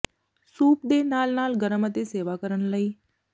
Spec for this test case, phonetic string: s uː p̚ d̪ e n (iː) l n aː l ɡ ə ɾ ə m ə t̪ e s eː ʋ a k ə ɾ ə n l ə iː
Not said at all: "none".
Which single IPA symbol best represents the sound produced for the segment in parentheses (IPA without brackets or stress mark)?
aː